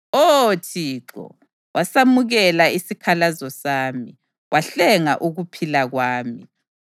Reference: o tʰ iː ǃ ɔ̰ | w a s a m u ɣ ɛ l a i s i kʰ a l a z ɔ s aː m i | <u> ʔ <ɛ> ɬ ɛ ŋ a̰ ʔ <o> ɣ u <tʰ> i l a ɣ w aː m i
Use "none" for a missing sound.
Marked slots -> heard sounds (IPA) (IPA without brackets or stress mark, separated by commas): w, a, u, pʰ